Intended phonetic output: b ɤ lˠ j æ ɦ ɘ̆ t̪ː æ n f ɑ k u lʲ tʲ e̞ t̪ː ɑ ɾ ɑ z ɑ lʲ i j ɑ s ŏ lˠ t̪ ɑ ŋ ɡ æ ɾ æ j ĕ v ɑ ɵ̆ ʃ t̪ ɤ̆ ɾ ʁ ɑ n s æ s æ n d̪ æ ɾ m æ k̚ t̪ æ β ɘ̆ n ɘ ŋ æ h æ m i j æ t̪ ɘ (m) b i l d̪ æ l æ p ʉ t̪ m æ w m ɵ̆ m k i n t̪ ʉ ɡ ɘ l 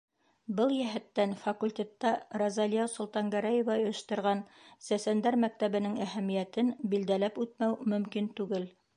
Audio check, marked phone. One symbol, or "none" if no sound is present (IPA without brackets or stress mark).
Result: n